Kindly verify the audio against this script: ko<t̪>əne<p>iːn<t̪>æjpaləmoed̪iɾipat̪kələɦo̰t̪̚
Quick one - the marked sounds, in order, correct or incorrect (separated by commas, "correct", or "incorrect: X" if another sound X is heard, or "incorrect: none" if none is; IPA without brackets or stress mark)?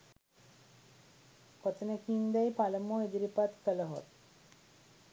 correct, incorrect: k, incorrect: d̪